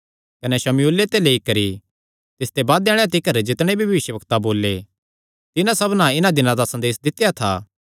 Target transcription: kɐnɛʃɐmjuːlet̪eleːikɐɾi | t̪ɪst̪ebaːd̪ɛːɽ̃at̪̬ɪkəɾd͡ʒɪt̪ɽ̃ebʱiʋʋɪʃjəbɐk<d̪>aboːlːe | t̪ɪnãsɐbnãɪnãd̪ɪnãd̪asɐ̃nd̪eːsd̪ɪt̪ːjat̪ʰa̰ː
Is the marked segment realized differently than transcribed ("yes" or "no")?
yes